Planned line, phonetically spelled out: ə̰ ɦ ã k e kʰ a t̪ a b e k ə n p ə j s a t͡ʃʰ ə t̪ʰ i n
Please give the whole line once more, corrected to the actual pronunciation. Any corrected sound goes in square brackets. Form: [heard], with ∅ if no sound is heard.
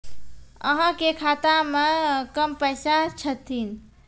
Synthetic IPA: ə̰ ɦ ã k e kʰ a t̪ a [m] e k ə [m] p ə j s a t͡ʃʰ ə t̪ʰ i n